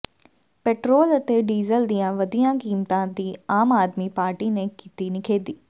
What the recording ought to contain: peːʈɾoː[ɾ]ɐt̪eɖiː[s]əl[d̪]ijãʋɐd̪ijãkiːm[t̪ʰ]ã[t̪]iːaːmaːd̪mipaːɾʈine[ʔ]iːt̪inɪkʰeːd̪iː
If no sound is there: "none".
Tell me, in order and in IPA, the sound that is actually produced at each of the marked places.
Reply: l, z, d̪, t̪, d̪, k

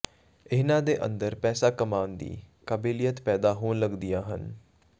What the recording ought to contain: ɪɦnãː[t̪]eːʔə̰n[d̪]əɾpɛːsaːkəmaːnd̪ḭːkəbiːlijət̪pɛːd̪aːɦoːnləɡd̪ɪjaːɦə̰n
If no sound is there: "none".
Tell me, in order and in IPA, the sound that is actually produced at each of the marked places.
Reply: d̪, d̪

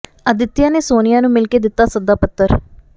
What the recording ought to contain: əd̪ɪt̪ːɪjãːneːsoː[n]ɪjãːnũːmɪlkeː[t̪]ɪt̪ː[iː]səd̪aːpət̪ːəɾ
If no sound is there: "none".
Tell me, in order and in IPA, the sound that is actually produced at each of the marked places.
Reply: n, d̪, aː

